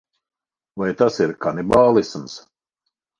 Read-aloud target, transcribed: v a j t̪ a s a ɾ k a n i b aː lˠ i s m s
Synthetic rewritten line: v a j t̪ a s i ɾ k a n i b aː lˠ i s m s